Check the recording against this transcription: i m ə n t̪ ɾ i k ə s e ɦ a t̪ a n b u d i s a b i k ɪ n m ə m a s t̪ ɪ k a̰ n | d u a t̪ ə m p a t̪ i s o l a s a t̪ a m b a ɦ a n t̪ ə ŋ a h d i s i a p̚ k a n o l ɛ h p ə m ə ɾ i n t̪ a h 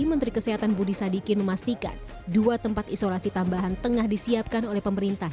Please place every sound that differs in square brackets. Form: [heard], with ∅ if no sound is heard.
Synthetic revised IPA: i m ə n t̪ ɾ i k ə s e ɦ a t̪ a n b u d i s a [d] i k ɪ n m ə m a s t̪ [i] k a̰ n | d u a t̪ ə m p a t̪ i s o l a s [i] t̪ a m b a ɦ a n t̪ ə ŋ a h d i s i a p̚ k a n o l ɛ h p ə m ə ɾ i n t̪ a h